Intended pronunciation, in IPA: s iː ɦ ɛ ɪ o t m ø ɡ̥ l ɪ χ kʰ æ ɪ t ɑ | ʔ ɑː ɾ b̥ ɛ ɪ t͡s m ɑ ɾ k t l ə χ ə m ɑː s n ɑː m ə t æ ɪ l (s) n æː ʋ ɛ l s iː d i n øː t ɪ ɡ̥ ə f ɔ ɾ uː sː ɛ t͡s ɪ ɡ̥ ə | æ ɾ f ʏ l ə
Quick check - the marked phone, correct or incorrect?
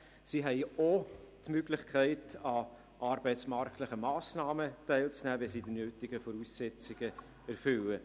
incorrect